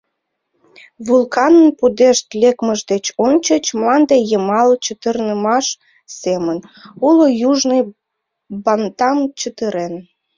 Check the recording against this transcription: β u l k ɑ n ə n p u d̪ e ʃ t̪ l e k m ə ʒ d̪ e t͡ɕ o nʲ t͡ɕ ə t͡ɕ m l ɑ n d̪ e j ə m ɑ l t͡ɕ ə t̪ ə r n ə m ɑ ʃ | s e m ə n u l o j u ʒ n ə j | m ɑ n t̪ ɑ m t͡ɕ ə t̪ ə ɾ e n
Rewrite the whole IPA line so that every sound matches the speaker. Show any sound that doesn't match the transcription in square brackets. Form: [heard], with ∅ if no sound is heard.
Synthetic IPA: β u l k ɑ n ə n p u d̪ e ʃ t̪ l e k m ə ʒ d̪ e t͡ɕ o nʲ t͡ɕ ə t͡ɕ m l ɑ n d̪ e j ə m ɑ l t͡ɕ ə t̪ ə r n ə m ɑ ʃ | s e m ə n u l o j u ʒ n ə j | [b] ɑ n t̪ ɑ m t͡ɕ ə t̪ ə ɾ e n